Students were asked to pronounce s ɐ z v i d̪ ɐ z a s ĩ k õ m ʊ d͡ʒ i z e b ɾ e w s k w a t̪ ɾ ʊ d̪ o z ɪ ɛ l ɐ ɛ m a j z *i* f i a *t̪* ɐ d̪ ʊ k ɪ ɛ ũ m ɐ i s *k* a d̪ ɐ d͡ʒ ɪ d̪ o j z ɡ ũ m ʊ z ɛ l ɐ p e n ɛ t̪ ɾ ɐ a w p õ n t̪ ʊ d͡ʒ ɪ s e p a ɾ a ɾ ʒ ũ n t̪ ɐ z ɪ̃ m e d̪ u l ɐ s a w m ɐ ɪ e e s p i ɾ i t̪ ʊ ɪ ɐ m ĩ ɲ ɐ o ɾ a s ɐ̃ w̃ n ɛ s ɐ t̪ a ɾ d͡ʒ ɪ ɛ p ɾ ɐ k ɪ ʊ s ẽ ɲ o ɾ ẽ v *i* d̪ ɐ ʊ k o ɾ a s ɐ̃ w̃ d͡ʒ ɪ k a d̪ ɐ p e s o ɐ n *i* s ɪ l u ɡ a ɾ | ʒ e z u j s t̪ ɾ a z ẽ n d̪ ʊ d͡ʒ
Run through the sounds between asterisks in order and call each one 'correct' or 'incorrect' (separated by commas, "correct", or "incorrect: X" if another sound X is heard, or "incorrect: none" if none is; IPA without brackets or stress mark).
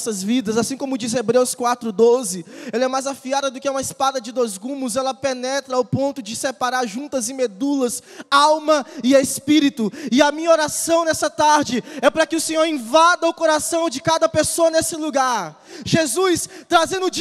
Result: incorrect: a, incorrect: d̪, incorrect: p, incorrect: a, incorrect: e